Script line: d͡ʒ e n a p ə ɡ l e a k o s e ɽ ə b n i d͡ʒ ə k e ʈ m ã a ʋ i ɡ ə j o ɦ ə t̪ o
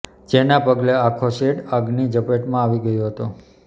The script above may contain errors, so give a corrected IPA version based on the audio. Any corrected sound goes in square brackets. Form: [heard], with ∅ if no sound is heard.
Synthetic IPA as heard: d͡ʒ e n a p ə ɡ l e a [kʰ] o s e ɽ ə [ɡ] n i d͡ʒ ə [p] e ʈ m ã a ʋ i ɡ ə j o ɦ ə t̪ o